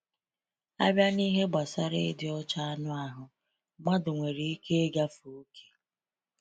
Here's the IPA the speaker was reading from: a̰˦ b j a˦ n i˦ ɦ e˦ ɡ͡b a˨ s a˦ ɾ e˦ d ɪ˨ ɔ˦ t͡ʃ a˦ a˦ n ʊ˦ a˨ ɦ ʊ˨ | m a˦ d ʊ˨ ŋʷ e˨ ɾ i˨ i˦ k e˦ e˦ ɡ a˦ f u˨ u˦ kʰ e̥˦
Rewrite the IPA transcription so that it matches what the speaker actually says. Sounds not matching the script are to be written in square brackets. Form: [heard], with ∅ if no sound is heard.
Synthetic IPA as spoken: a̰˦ b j a˦ n i˦ ɦ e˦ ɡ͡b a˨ s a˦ ɾ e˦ d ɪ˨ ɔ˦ t͡ʃ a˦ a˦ n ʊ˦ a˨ ɦ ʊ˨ | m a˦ d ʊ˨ ŋʷ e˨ ɾ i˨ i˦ k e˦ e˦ ɡ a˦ f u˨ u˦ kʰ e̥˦